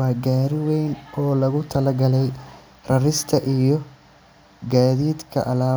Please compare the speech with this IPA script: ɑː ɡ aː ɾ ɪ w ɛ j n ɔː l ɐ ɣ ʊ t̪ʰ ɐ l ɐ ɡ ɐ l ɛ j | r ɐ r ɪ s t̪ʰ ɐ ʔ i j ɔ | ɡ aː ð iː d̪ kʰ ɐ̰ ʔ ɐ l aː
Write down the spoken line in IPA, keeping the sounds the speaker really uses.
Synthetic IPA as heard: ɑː ɡ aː ɾ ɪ w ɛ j n ɔː l ɐ ɣ ʊ t̪ʰ ɐ l ɐ ɡ ɐ l ɛ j | r ɐ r ɪ s t̪ʰ ɐ ʔ i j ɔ | ɡ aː ð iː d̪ kʰ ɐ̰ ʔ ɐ l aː